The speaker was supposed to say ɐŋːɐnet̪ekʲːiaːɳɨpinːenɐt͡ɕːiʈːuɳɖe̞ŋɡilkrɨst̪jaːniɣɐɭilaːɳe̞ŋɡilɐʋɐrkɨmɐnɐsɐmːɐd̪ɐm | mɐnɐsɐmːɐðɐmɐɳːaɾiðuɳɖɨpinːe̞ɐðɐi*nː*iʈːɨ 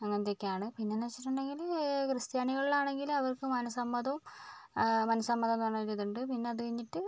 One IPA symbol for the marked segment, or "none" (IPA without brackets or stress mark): ɲː